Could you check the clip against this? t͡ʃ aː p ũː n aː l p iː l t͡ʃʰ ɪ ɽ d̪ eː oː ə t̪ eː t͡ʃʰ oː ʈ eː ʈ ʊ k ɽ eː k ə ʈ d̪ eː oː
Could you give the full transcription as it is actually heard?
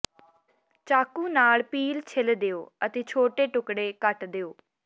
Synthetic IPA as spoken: t͡ʃ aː k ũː n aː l p iː l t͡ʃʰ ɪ l d̪ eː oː ə t̪ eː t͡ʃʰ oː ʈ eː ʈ ʊ k ɽ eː k ə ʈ d̪ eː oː